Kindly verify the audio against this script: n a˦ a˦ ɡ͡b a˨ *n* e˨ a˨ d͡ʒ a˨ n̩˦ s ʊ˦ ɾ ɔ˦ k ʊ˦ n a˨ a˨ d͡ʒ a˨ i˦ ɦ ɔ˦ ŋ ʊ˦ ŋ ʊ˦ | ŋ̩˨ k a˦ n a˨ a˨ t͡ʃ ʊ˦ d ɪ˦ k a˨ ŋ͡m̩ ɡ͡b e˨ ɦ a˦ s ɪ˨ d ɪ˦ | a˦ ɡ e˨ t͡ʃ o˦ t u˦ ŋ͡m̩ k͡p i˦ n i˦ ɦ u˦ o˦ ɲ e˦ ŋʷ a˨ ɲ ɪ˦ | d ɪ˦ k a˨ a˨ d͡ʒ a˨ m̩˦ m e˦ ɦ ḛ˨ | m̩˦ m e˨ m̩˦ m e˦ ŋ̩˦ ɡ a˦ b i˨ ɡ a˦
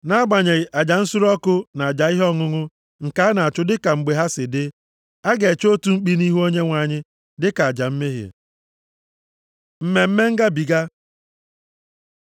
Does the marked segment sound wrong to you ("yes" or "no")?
yes